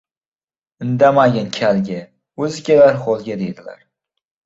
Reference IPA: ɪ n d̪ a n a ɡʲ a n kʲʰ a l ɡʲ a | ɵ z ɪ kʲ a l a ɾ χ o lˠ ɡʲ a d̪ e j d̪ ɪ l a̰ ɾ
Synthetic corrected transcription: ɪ n d̪ a m a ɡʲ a n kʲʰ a l ɡʲ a | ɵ z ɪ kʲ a l a ɾ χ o lˠ ɡʲ a d̪ e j d̪ ɪ l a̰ ɾ